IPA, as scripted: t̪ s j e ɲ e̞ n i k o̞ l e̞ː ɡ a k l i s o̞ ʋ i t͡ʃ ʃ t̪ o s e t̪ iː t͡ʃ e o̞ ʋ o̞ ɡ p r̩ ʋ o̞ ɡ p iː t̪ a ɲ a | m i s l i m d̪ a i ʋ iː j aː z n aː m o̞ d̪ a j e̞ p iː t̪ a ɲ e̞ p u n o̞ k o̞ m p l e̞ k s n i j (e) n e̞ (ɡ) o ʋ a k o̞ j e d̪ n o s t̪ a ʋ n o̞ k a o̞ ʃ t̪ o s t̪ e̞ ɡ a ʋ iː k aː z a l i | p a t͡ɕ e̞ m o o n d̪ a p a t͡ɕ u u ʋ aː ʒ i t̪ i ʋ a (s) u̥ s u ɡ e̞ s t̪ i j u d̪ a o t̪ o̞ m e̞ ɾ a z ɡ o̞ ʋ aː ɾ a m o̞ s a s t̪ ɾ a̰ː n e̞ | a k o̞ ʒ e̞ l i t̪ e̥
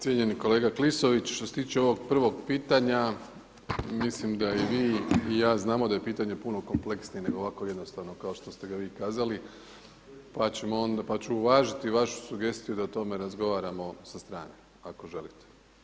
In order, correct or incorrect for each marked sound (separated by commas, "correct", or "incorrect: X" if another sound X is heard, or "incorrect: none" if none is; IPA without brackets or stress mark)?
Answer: correct, correct, incorrect: ʃ